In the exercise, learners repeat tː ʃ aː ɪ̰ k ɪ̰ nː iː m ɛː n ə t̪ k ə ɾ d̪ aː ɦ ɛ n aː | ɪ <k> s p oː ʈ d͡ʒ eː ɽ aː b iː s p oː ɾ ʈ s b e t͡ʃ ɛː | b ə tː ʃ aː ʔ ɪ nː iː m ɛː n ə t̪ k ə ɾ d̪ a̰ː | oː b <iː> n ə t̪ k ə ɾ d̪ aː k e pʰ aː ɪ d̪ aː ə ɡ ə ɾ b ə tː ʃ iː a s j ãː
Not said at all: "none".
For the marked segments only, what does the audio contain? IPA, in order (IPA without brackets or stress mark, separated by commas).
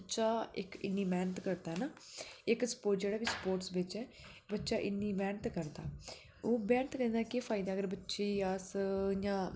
k, ɛː